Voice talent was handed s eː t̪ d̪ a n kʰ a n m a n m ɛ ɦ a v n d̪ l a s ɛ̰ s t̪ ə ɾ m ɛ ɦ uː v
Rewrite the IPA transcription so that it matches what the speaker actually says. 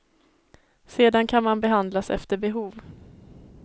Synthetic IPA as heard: s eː d̪ a n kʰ a n m a n b ɛ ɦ a n d̪ l a s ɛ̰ f t̪ ə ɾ b ɛ ɦ uː v